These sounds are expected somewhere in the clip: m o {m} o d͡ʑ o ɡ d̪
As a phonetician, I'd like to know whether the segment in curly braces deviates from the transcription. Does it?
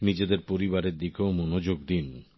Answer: yes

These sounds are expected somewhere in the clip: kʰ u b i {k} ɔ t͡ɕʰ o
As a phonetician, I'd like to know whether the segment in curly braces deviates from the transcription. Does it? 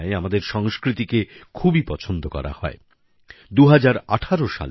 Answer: yes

